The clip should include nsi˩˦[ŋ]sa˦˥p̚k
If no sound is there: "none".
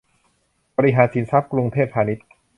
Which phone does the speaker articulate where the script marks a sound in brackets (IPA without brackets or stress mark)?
n